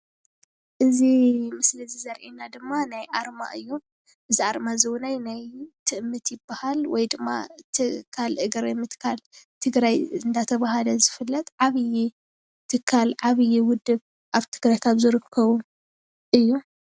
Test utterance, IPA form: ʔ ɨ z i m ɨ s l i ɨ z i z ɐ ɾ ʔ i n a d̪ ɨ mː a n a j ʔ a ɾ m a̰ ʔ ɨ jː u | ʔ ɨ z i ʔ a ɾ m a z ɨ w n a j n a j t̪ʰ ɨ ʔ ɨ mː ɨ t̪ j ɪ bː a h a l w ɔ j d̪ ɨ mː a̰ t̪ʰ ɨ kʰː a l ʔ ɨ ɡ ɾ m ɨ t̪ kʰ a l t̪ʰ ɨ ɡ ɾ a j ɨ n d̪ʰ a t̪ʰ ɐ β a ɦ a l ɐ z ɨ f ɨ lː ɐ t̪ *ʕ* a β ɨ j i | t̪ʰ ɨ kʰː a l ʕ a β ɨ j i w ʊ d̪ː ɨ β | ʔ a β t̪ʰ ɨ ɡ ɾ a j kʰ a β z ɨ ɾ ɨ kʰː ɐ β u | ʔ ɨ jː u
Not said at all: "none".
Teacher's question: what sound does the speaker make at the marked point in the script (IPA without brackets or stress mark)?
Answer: ʕ